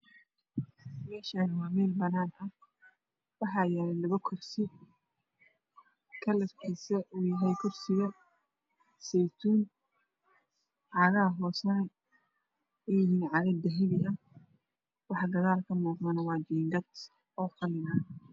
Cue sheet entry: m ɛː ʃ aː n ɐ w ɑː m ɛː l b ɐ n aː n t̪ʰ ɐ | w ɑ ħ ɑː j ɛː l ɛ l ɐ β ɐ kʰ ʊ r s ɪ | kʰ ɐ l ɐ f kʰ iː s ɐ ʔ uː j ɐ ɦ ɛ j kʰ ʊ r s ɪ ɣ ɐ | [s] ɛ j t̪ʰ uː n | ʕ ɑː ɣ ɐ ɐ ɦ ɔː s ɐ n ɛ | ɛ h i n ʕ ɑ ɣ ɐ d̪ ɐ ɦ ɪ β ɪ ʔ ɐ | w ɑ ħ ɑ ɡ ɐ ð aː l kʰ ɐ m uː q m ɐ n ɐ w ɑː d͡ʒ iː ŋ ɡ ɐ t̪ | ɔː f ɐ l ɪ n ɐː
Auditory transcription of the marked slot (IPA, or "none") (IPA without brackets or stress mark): s